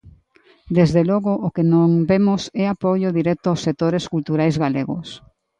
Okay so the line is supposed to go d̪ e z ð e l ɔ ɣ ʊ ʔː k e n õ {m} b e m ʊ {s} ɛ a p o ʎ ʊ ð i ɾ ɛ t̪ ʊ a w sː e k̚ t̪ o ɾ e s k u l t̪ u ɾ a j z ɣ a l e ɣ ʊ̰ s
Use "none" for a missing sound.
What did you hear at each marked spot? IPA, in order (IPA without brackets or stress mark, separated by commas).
ŋ, s